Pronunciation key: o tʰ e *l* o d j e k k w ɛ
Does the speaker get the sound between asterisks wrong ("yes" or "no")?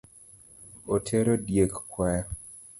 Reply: yes